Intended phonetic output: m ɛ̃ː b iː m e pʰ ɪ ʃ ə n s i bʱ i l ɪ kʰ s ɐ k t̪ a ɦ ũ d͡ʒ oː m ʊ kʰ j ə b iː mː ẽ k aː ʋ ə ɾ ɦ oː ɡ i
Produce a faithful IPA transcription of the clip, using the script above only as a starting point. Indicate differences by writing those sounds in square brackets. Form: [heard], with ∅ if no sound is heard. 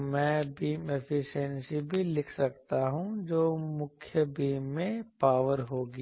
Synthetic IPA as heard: m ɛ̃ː b iː m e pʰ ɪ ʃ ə n s i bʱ i l ɪ kʰ s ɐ k t̪ a ɦ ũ d͡ʒ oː m ʊ kʰ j ə b iː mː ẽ [p] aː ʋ ə ɾ ɦ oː ɡ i